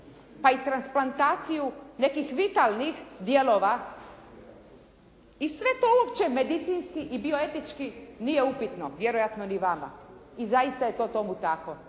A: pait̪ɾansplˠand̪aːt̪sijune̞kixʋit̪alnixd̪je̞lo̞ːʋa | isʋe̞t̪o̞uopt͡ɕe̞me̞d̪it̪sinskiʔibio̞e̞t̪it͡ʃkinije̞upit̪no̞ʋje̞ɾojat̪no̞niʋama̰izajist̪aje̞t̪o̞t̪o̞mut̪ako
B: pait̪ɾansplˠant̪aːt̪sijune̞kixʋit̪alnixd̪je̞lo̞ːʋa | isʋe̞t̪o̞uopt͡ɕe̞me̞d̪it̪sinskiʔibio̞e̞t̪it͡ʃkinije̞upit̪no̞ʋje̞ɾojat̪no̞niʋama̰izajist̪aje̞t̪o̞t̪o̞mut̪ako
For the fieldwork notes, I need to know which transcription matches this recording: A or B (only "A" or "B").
B